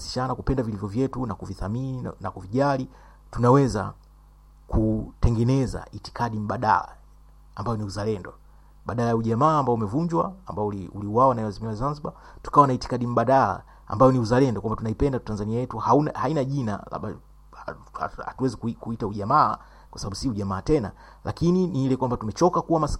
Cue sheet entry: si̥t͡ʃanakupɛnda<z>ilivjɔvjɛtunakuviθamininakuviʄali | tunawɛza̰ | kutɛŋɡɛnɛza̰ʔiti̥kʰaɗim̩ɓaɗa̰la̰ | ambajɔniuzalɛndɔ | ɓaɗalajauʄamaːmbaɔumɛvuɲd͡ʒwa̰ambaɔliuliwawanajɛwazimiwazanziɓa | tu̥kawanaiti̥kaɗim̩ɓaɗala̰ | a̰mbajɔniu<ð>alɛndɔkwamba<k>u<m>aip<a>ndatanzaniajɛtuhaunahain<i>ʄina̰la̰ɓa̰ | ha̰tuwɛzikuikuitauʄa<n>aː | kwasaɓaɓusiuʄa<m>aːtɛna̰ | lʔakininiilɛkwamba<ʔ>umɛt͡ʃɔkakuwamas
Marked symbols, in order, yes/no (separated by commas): no, no, no, no, no, no, no, yes, no